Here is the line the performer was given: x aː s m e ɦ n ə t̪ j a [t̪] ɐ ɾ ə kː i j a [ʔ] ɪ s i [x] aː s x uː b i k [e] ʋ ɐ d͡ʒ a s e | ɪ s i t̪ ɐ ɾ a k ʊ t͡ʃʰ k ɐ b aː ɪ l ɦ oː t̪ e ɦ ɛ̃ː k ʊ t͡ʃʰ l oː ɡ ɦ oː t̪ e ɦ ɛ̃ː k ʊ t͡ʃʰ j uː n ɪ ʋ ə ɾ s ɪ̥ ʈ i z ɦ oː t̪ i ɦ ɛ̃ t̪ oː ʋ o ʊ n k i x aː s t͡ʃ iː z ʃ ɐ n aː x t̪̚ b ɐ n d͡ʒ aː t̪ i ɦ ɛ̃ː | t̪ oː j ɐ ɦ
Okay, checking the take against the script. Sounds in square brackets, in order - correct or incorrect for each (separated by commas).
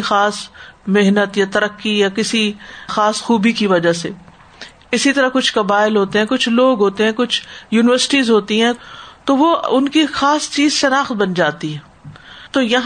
correct, incorrect, correct, incorrect